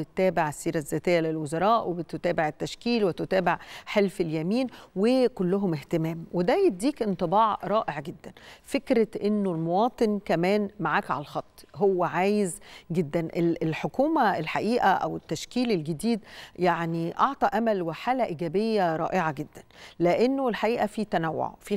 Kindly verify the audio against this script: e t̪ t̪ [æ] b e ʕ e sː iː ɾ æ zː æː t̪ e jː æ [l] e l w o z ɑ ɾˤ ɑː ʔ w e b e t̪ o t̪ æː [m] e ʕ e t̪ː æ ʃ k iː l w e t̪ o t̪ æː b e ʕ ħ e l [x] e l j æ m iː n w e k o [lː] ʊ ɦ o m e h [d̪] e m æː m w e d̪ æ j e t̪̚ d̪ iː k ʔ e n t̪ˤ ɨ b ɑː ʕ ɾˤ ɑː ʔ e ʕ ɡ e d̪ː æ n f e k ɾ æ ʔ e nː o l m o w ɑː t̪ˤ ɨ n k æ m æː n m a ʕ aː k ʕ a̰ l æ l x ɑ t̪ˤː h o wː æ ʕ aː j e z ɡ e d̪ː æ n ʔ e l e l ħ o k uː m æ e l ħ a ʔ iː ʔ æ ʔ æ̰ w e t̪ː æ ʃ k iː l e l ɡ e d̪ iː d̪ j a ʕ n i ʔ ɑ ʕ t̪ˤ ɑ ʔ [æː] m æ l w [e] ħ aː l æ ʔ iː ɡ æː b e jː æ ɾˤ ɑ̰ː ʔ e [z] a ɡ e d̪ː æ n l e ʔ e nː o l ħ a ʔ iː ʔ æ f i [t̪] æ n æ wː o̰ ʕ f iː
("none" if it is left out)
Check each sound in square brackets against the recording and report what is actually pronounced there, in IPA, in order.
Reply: æː, l, b, f, lː, t̪, æ, e, ʕ, t̪

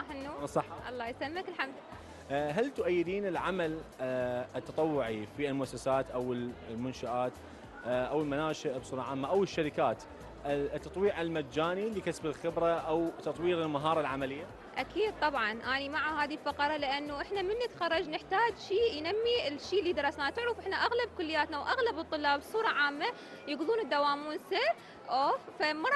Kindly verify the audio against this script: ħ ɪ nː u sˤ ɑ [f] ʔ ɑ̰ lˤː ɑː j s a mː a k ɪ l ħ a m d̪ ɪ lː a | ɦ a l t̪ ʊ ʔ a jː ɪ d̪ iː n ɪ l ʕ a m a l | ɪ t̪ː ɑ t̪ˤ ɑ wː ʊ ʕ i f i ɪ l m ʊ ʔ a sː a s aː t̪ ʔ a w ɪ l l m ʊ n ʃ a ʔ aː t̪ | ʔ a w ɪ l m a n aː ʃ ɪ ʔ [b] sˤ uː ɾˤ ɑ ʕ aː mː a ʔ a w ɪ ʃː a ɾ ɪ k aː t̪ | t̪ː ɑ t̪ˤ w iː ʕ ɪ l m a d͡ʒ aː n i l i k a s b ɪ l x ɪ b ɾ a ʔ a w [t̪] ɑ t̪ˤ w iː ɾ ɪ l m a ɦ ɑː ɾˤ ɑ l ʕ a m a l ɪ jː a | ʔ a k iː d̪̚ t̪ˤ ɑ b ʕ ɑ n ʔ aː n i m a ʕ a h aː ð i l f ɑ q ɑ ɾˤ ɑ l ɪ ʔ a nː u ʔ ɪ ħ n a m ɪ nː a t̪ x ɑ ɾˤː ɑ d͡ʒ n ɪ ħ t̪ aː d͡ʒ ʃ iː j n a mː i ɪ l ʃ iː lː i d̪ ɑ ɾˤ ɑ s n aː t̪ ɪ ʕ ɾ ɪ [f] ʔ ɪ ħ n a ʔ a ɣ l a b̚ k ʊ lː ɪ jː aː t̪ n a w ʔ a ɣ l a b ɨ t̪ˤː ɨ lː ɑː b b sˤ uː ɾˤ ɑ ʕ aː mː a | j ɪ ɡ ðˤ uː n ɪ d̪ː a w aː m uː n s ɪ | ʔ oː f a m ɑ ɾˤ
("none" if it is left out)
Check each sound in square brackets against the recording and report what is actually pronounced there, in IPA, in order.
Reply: ħ, b, t̪, f

